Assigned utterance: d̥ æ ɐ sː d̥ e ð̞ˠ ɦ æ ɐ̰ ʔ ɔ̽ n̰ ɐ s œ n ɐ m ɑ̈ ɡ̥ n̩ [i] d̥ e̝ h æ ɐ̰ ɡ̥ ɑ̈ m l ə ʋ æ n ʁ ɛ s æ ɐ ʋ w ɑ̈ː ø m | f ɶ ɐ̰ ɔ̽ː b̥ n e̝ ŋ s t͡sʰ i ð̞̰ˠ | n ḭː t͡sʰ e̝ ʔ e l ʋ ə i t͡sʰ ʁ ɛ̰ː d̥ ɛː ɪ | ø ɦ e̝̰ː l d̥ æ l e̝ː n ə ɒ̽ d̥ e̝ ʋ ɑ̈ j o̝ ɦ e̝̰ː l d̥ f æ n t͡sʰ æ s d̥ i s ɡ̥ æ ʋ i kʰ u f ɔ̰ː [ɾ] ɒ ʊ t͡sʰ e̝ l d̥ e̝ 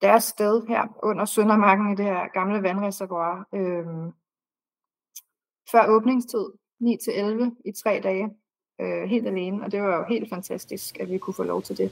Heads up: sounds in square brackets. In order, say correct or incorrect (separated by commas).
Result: correct, incorrect